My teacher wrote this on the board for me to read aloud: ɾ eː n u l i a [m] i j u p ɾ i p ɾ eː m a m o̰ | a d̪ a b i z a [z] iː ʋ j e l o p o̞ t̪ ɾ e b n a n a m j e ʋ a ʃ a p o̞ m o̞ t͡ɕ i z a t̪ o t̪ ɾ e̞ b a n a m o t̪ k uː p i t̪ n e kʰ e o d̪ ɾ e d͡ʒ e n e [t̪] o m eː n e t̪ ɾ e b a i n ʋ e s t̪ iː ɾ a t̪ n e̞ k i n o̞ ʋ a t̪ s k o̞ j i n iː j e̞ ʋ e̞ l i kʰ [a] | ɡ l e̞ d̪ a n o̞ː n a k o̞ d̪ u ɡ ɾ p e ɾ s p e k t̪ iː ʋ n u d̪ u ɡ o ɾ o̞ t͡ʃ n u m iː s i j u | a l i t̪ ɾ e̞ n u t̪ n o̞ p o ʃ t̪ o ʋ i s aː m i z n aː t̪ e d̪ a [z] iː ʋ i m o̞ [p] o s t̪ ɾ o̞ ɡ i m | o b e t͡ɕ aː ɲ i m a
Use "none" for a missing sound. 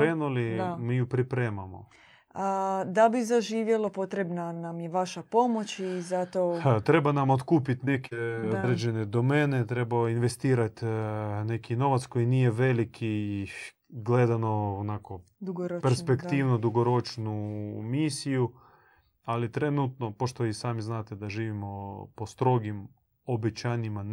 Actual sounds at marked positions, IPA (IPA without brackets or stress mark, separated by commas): m, ʒ, d̪, i, ʒ, p